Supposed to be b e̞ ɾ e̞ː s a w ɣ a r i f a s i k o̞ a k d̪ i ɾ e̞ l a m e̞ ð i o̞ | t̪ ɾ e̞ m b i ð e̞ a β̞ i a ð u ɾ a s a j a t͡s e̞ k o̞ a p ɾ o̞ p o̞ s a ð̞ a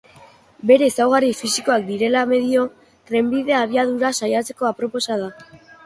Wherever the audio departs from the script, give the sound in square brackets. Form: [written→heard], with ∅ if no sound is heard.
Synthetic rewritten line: b e̞ ɾ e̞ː s a w ɣ a r i f [a→i] s i k o̞ a k d̪ i ɾ e̞ l a m e̞ ð i o̞ | t̪ ɾ e̞ m b i ð e̞ a β̞ i a ð u ɾ a s a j a t͡s e̞ k o̞ a p ɾ o̞ p o̞ s a ð̞ a